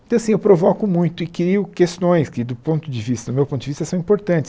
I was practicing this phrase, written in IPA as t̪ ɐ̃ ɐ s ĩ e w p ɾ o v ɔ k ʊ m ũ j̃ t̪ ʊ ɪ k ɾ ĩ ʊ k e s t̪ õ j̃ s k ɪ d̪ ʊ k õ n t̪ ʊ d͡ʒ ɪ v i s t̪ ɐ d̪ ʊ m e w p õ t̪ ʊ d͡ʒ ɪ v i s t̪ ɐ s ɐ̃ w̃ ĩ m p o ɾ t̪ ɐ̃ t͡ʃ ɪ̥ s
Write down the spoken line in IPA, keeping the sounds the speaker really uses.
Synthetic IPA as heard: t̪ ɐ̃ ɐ s ĩ e w p ɾ o v ɔ k ʊ m ũ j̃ t̪ ʊ ɪ k ɾ i ʊ k e s t̪ õ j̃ s k ɪ d̪ ʊ p õ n t̪ ʊ d͡ʒ ɪ v i s t̪ ɐ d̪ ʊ m e w p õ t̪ ʊ d͡ʒ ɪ v i s t̪ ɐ s ɐ̃ w̃ ĩ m p o ɾ t̪ ɐ̃ t͡ʃ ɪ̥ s